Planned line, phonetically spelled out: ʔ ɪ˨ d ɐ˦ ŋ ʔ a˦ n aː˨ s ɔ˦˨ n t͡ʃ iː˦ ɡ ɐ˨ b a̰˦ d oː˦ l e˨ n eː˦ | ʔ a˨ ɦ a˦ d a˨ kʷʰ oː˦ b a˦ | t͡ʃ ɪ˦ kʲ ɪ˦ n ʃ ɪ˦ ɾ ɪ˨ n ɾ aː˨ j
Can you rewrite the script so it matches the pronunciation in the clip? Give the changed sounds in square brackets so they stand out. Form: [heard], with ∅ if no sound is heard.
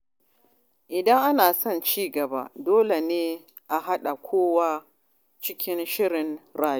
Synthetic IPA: ʔ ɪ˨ d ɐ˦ ŋ ʔ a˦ n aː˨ s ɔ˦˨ n t͡ʃ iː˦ ɡ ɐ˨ b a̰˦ d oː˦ l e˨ n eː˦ | ʔ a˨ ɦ a˦ [ɗ] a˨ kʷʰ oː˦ [w] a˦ | t͡ʃ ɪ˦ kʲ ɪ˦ n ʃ ɪ˦ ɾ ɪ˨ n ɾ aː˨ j